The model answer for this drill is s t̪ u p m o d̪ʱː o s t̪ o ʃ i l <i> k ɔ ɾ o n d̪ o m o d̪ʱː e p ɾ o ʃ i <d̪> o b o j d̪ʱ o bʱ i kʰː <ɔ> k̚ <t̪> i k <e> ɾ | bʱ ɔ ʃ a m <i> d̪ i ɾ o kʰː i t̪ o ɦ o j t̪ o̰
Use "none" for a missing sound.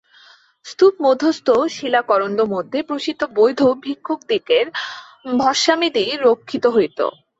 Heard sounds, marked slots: a, t̪, o, d̪, e, i

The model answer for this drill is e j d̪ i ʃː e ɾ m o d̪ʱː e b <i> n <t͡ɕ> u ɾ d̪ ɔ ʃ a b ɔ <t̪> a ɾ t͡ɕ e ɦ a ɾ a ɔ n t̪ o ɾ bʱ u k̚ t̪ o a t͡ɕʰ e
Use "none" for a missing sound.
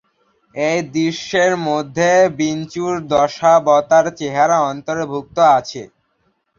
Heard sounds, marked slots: i, t͡ɕ, t̪

